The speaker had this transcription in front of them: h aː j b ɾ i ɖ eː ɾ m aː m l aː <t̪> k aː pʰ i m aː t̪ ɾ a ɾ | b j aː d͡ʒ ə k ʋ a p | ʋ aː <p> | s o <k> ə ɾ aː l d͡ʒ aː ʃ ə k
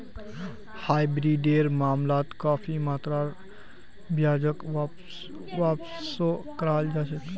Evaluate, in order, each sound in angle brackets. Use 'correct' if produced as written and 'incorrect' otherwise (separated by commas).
correct, correct, correct